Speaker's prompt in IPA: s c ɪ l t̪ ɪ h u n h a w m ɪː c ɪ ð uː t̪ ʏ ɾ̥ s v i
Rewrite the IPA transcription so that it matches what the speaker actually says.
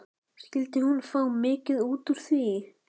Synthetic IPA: s c ɪ l t̪ ɪ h u n f a w m ɪː c ɪ ð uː t̪ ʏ ɾ̥ θ v i